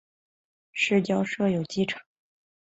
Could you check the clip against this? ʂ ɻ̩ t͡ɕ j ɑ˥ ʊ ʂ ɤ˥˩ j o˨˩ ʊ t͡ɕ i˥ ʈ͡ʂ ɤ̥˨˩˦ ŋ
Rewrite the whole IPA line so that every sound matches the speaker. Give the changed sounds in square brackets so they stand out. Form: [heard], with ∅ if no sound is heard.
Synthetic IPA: ʂ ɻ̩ t͡ɕ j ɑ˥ ʊ ʂ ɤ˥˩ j o˨˩ ʊ t͡ɕ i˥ [ʈ͡ʂʰ] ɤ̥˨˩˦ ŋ